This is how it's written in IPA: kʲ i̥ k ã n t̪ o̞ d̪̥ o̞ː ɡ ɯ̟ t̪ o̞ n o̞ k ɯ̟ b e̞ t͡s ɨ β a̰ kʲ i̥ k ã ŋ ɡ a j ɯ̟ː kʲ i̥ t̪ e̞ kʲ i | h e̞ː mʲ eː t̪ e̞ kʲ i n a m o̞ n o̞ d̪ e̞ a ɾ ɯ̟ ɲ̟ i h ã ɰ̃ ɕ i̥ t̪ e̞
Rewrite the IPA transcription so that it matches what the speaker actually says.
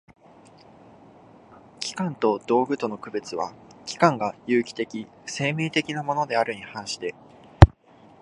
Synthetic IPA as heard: kʲ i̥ k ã n t̪ o̞ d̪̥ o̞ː ɡ ɯ̟ t̪ o̞ n o̞ k ɯ̟ b e̞ t͡s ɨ β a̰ kʲ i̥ k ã ŋ ɡ a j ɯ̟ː kʲ i̥ t̪ e̞ kʲ i | s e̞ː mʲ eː t̪ e̞ kʲ i n a m o̞ n o̞ d̪ e̞ a ɾ ɯ̟ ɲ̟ i h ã ɰ̃ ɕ i̥ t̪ e̞